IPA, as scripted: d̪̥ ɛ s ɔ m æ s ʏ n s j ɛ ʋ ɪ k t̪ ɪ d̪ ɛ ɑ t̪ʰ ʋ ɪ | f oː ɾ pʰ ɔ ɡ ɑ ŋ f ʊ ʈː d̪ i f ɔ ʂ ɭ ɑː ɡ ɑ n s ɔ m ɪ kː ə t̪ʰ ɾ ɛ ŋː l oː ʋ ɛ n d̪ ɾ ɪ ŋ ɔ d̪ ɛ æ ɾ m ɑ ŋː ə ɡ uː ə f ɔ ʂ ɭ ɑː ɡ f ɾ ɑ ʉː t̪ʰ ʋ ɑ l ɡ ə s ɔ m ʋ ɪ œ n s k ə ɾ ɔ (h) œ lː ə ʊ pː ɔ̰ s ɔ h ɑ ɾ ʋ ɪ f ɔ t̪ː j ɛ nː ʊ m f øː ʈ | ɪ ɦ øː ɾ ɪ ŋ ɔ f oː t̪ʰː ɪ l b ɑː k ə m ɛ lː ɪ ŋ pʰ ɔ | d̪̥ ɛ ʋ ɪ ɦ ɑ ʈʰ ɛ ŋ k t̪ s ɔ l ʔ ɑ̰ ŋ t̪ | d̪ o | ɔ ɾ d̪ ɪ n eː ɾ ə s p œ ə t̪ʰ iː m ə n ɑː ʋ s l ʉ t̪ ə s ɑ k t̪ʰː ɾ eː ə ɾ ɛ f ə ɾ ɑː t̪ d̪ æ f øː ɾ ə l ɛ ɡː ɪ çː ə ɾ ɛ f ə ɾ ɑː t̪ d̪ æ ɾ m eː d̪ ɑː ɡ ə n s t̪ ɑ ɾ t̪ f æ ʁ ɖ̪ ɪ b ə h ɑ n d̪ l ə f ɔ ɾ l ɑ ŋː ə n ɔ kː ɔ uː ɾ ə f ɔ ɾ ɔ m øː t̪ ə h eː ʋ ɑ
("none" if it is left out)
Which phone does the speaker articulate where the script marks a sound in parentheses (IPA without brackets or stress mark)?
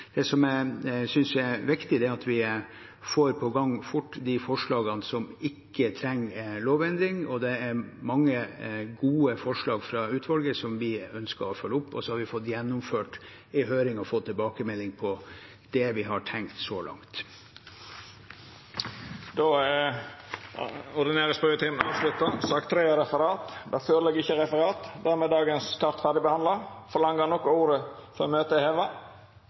f